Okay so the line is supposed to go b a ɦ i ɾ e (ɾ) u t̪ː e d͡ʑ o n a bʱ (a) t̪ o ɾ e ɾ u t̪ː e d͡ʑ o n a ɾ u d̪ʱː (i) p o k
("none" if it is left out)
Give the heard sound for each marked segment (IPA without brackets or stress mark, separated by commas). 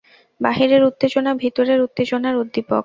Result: ɾ, i, i